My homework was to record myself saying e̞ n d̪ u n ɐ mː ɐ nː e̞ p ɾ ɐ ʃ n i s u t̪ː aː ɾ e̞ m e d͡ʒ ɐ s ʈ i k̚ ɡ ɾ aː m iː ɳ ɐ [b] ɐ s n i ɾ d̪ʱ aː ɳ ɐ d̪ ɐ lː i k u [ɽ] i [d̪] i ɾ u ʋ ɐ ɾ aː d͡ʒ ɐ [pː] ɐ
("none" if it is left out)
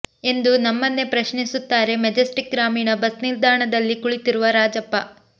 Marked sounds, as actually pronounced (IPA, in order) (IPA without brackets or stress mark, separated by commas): b, ɭ, t̪, pː